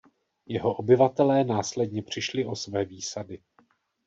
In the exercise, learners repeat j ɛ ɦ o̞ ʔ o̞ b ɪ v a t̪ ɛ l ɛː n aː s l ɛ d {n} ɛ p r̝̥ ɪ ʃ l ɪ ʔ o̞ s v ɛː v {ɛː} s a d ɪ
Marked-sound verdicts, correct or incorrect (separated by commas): incorrect, incorrect